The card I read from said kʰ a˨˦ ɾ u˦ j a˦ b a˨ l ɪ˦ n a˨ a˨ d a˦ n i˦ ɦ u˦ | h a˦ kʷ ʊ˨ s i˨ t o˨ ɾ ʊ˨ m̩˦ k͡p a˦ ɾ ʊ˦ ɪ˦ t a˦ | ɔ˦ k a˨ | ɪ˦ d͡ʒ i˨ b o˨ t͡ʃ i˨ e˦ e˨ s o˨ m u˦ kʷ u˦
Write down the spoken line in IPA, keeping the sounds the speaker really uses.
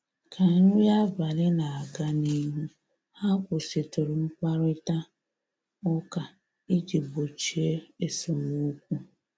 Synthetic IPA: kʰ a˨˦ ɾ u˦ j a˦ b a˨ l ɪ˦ n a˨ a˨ ɡ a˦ n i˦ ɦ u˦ | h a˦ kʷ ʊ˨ s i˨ t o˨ ɾ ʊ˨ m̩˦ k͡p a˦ ɾ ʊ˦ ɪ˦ t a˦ | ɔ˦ k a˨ | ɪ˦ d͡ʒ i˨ b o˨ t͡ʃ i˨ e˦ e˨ s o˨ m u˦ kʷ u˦